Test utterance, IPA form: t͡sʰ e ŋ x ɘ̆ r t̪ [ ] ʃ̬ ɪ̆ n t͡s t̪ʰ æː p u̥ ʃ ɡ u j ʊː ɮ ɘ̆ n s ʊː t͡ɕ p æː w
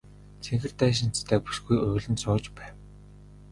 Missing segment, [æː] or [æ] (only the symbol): æː